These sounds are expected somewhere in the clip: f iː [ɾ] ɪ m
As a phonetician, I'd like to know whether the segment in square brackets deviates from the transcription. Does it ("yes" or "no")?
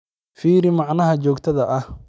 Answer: no